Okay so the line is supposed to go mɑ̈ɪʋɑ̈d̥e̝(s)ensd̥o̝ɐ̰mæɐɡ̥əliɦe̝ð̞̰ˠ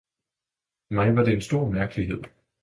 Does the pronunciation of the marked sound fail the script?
yes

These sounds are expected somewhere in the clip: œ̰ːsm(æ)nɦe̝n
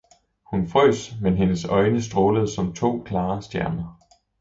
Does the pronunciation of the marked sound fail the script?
yes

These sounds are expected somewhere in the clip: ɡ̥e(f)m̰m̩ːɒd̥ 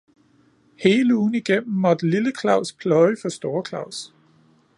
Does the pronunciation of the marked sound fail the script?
yes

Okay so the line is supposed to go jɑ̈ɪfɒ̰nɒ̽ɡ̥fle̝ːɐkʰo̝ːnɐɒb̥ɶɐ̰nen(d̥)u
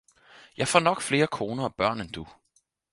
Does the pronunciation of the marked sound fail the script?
no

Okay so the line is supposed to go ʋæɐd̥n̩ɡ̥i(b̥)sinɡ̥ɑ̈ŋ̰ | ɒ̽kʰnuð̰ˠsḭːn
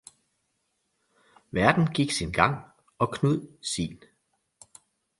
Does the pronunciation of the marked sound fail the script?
yes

